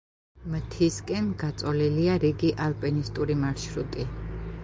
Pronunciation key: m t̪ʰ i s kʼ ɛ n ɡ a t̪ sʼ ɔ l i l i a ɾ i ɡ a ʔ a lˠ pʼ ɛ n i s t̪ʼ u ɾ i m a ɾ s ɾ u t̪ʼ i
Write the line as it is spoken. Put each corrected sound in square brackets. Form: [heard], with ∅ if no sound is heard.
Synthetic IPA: m t̪ʰ i s kʼ ɛ n ɡ a t̪ sʼ ɔ l i l i a ɾ i ɡ [i] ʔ a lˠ pʼ ɛ n i s t̪ʼ u ɾ i m a ɾ [ʃ] ɾ u t̪ʼ i